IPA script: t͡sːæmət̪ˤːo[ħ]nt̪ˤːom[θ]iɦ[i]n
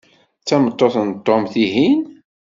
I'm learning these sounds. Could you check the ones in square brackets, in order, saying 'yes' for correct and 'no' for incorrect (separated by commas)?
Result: no, yes, yes